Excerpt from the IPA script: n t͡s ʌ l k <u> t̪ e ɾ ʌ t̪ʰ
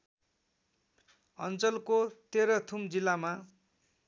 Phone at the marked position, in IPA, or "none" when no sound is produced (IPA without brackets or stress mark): o